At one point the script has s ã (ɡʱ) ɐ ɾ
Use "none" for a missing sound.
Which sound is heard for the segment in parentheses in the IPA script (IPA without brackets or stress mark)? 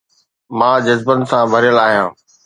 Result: bʱ